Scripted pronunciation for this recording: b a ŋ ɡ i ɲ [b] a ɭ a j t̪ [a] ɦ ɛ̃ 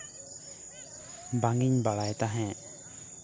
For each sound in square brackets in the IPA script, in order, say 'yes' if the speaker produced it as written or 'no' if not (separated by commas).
yes, yes